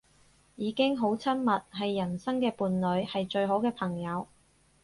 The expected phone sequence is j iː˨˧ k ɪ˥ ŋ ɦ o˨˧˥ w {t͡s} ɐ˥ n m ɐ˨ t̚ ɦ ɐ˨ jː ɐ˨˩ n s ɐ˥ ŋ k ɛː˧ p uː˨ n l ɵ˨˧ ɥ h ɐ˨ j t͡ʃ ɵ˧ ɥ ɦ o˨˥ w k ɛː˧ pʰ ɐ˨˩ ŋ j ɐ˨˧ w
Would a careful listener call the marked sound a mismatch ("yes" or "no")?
yes